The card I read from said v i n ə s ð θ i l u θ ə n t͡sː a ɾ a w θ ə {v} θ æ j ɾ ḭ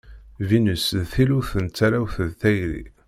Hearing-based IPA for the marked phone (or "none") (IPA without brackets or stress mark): ð